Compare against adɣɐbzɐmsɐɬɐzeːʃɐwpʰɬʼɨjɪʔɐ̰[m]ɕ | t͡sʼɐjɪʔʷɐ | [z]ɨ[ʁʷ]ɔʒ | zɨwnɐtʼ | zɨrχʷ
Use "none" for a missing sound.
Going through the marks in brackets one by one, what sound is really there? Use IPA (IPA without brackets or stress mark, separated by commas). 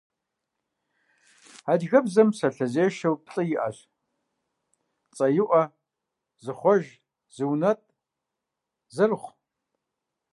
none, z, χʷ